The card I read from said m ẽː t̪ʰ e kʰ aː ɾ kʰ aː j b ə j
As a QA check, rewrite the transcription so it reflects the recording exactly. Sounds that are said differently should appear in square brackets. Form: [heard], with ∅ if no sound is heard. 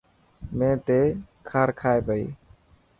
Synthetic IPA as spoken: m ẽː [t̪] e kʰ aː ɾ kʰ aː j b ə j